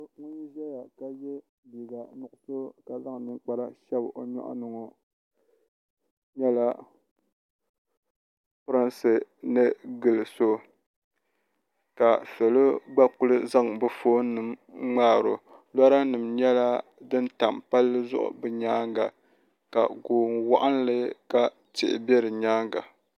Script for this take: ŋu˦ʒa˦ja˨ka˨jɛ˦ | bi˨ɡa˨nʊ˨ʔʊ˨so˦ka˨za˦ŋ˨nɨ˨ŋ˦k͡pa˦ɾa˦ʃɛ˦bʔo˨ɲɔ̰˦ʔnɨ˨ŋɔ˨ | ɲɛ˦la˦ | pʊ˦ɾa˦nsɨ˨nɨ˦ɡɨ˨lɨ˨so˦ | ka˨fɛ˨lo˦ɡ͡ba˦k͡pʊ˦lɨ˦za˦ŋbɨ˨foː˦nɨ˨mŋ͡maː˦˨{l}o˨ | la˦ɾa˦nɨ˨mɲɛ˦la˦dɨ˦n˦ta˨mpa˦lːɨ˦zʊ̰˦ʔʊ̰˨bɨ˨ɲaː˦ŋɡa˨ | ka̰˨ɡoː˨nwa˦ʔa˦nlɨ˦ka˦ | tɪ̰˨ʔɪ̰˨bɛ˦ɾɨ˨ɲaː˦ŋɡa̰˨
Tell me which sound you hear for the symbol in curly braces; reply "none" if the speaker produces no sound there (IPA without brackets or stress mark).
ɾ